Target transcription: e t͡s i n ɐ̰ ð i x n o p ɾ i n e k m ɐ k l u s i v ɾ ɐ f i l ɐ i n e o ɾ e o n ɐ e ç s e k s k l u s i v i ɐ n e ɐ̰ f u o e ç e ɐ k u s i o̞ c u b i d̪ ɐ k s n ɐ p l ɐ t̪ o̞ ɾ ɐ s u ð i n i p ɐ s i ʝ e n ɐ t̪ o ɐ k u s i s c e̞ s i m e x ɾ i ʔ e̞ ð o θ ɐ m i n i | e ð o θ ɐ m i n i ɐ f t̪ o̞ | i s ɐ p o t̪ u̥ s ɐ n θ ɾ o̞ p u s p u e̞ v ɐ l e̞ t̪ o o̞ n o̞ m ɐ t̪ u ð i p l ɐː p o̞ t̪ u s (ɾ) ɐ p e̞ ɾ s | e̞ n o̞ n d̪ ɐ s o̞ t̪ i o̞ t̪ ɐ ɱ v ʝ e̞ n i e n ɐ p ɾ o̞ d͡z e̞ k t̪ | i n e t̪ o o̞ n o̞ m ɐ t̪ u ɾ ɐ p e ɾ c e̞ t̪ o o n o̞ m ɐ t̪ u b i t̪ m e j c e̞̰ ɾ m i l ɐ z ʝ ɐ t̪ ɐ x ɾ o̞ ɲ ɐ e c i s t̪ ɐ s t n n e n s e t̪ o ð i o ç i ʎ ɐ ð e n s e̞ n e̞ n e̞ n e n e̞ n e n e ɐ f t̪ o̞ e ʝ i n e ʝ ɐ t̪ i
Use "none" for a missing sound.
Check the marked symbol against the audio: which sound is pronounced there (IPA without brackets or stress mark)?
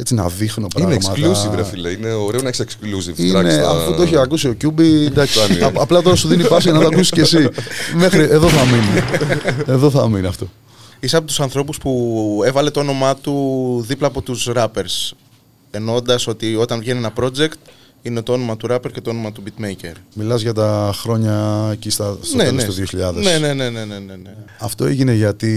ɾ